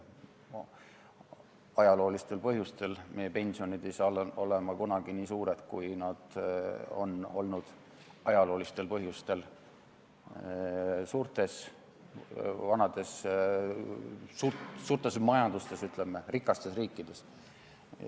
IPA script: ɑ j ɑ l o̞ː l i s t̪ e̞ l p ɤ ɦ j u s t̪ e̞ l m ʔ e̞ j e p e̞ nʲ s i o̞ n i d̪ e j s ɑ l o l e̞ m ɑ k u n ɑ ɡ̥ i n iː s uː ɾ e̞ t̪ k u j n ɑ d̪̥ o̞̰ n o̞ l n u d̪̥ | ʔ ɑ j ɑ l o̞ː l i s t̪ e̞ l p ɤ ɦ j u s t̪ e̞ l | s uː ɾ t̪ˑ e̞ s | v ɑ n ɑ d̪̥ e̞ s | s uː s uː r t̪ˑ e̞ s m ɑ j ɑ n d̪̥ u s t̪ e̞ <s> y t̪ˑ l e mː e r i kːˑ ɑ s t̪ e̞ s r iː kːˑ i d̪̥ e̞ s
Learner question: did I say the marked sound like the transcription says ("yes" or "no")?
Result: yes